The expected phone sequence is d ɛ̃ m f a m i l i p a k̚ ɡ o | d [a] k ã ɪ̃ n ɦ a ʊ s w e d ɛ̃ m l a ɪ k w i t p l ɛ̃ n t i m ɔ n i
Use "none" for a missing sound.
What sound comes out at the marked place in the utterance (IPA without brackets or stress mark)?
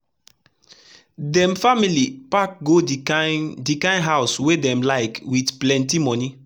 i